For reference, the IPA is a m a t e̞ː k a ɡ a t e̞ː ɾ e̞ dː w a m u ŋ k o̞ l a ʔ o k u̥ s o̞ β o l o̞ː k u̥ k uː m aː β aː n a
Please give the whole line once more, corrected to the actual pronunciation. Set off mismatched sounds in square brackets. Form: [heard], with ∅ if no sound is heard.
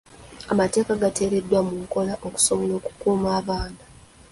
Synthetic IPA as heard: a m a t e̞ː k a ɡ a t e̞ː ɾ e̞ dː w a m u ŋ k o̞ l a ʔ o k u̥ s o̞ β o l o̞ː k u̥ k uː m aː β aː n a